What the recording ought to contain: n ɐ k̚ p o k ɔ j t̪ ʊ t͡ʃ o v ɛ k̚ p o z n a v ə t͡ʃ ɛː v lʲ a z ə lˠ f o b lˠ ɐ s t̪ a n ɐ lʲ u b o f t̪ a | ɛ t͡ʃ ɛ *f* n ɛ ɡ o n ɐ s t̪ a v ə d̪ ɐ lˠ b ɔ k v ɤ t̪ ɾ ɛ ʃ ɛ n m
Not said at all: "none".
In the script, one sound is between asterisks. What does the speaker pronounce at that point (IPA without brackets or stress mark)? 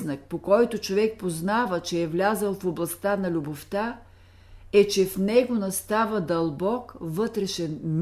f